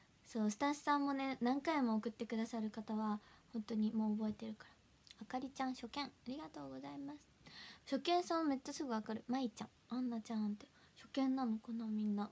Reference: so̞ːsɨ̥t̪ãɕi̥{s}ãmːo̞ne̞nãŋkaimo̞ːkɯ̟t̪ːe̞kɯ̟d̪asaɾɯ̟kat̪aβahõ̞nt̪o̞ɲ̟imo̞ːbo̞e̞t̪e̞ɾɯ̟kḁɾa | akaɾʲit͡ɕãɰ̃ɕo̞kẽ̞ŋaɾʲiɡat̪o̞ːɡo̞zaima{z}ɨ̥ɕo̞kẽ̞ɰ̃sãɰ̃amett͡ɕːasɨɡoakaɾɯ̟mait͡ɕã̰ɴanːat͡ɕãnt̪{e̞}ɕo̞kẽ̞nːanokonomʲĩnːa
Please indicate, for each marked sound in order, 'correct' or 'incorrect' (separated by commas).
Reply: correct, incorrect, correct